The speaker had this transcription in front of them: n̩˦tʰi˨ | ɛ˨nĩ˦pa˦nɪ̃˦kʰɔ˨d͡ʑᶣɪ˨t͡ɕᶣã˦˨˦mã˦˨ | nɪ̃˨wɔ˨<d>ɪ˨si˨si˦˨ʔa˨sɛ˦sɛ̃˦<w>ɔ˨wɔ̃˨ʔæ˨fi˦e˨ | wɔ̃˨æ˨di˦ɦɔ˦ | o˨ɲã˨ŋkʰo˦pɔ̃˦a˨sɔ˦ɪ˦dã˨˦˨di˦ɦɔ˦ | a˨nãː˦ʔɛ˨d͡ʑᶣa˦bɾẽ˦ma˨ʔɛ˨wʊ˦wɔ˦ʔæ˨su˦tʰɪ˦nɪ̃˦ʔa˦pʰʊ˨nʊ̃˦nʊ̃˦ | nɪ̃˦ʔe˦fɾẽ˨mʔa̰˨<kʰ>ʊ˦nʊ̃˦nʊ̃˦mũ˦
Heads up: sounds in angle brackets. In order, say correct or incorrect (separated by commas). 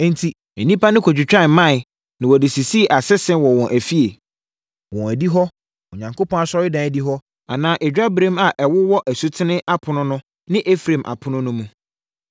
correct, correct, incorrect